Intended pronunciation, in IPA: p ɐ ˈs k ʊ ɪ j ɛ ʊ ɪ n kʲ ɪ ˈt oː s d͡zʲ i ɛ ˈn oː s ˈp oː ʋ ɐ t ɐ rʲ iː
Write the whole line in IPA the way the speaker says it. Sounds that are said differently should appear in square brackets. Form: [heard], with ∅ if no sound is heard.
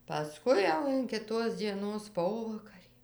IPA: p ɐ ˈs k ʊ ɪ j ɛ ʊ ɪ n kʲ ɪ ˈt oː s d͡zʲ i ɛ ˈn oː s ˈp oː ʋ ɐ [k] ɐ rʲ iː